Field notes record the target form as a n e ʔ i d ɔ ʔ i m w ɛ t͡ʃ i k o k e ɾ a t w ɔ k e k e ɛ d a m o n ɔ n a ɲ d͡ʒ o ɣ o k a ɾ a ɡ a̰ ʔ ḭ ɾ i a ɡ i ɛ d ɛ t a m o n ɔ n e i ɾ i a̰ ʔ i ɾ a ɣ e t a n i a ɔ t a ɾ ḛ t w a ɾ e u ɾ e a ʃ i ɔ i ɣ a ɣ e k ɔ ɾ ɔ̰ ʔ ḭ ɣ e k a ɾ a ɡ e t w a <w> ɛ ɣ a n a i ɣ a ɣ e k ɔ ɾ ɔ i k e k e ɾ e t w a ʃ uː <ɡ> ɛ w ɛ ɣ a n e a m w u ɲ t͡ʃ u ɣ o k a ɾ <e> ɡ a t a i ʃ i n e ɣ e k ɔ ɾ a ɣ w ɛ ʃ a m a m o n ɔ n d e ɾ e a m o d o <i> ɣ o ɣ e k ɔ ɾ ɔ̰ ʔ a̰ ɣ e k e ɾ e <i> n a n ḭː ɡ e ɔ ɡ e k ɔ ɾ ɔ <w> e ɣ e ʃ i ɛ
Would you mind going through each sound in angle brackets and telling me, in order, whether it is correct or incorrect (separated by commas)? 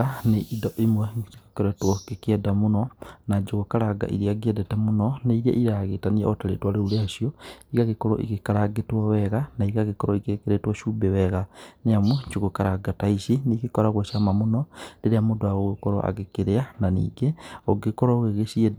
correct, incorrect, incorrect, incorrect, incorrect, incorrect